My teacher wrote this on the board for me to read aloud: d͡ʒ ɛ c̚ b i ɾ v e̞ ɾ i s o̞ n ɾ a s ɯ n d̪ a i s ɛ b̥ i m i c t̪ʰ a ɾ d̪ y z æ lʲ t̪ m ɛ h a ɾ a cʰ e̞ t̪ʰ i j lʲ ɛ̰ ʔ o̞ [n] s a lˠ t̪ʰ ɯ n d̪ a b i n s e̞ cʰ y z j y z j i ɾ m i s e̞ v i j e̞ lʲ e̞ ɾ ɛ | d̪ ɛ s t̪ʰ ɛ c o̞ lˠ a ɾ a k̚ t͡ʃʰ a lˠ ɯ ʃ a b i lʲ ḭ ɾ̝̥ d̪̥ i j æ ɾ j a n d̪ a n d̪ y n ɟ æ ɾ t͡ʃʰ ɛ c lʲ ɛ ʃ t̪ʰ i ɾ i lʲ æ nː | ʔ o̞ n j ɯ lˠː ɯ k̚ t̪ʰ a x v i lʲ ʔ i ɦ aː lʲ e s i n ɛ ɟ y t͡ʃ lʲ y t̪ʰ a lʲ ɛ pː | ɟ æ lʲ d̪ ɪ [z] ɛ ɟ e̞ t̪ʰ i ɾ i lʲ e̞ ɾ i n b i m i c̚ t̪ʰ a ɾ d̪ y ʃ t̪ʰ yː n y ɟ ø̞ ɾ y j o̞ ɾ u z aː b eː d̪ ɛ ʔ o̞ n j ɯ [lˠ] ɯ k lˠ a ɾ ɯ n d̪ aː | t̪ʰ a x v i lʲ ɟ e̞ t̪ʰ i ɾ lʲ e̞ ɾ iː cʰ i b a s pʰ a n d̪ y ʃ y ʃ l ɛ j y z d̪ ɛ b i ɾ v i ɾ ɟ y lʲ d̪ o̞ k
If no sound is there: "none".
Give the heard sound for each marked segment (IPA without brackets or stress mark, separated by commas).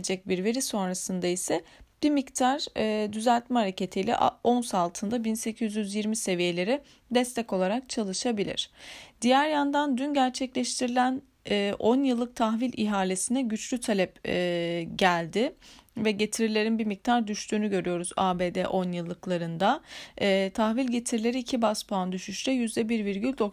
n, v, lˠː